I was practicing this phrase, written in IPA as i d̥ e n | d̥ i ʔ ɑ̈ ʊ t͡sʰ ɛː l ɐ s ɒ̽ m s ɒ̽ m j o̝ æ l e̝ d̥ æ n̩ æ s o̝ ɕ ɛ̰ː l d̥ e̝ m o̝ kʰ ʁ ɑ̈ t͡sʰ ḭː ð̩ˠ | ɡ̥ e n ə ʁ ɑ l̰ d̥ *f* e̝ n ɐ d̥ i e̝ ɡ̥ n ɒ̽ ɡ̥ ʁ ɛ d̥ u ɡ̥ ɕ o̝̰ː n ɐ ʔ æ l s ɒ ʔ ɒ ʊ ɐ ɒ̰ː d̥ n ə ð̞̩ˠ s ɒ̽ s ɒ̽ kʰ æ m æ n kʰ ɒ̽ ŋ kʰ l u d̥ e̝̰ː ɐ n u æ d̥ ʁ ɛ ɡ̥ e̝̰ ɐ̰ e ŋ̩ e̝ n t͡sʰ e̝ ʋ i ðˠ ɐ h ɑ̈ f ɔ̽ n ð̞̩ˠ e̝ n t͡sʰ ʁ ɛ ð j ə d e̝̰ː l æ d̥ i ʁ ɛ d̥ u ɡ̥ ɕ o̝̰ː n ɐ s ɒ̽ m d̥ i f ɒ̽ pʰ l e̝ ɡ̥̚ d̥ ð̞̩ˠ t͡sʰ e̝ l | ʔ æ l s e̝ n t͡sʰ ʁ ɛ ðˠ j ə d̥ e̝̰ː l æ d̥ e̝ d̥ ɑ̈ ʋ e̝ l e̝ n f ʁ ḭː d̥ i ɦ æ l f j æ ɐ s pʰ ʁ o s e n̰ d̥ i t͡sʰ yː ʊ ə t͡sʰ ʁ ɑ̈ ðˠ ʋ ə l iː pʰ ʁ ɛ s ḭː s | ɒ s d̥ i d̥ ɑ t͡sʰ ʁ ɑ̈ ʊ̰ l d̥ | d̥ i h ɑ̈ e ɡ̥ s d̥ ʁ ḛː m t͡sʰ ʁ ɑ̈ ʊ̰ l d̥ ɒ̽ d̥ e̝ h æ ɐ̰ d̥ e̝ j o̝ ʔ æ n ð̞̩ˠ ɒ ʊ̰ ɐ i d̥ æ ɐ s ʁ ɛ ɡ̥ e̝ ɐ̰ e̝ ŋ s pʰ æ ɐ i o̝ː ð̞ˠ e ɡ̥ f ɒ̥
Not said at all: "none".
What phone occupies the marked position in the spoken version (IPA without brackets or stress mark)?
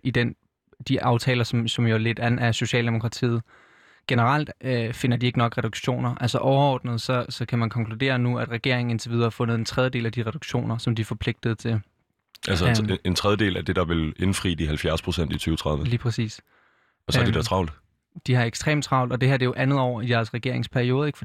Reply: f